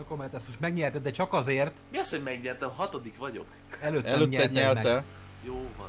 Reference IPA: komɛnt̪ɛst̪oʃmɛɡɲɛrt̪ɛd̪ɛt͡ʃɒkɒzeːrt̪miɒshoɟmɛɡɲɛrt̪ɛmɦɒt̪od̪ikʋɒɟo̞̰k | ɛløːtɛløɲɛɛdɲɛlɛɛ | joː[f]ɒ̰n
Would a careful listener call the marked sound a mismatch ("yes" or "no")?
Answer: yes